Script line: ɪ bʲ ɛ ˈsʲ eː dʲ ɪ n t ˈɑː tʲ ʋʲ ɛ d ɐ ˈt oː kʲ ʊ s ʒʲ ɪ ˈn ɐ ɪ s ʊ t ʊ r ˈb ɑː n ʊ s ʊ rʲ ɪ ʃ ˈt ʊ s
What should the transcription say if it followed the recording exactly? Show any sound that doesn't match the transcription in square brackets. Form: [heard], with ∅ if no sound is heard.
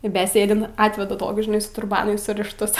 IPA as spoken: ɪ bʲ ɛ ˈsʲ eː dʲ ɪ n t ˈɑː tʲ ʋʲ ɛ d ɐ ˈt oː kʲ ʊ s ʒʲ ɪ ˈn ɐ ɪ s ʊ t ʊ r ˈb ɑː n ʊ s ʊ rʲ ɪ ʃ ˈt ʊ s